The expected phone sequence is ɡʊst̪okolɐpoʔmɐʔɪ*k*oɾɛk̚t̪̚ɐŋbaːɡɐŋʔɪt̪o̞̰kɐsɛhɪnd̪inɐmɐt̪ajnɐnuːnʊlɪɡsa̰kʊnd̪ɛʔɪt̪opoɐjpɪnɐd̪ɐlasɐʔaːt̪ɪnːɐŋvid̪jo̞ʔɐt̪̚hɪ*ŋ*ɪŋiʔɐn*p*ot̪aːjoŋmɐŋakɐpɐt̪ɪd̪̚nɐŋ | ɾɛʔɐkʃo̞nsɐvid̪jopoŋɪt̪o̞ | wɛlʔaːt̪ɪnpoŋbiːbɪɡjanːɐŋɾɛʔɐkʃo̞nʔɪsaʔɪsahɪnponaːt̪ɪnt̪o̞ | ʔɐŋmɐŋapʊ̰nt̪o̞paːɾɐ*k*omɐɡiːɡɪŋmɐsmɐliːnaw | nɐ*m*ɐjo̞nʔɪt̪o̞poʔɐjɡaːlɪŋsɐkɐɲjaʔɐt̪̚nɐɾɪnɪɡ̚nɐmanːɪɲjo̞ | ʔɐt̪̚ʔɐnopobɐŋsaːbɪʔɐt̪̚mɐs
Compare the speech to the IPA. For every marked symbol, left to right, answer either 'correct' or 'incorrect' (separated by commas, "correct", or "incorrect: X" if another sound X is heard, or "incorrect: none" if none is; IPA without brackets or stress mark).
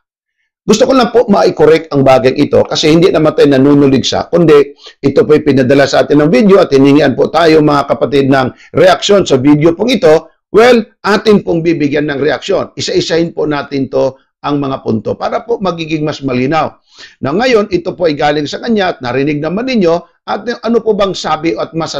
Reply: correct, incorrect: n, correct, incorrect: p, incorrect: ŋ